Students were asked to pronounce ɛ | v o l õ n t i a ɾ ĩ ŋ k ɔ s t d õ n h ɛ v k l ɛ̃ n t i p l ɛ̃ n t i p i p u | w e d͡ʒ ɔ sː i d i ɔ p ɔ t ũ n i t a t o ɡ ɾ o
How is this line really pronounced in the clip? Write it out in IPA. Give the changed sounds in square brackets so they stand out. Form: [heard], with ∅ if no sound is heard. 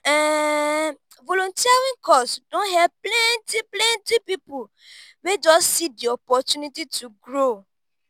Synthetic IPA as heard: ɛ | v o l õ n t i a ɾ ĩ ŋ k ɔ s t d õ n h ɛ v [p] l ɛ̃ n t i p l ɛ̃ n t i p i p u | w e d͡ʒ ɔ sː i d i ɔ p ɔ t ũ n i t [i] t [u] ɡ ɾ o